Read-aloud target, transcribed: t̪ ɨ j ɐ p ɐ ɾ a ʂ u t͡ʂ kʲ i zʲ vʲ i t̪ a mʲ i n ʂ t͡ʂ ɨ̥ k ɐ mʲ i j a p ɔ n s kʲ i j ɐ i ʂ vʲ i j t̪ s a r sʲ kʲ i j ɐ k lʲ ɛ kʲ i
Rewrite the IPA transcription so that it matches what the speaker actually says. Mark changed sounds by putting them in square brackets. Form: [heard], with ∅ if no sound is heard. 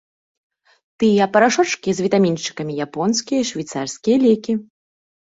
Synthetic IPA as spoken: t̪ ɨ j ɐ p ɐ ɾ a ʂ [ɔ] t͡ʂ kʲ i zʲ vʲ i t̪ a mʲ i n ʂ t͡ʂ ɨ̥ k ɐ mʲ i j a p ɔ n s kʲ i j ɐ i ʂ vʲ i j t̪ s a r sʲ kʲ i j ɐ [∅] lʲ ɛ kʲ i